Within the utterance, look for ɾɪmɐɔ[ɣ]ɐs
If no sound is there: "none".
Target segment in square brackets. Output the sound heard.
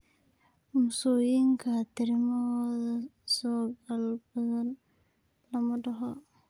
ð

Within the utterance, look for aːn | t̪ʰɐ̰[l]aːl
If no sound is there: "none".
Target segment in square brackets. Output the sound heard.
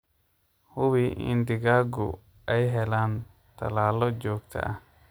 l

